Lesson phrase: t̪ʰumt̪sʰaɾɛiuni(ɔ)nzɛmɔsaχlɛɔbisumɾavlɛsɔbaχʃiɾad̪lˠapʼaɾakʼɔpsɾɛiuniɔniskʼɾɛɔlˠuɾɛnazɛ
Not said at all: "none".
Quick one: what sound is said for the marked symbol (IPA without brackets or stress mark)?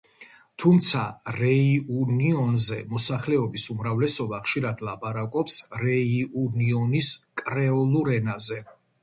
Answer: ɔ